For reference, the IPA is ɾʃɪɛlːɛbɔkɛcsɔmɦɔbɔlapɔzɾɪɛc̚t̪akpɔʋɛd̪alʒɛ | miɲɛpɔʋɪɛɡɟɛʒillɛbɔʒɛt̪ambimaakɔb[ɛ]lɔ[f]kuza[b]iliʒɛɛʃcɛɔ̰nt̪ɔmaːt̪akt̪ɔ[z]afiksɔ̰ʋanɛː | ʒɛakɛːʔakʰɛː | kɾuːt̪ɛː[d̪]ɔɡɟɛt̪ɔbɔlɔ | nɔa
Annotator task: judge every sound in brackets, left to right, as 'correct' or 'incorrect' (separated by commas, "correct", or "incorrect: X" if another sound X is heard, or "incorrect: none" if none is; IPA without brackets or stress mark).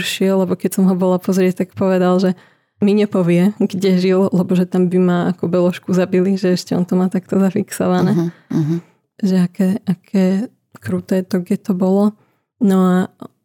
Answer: correct, incorrect: ʃ, correct, correct, incorrect: t̪